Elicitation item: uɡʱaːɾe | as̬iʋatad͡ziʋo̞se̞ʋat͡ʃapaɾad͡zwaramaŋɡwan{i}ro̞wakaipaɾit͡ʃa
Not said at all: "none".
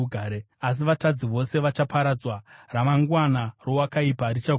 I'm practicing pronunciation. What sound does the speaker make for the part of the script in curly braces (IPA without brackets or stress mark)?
a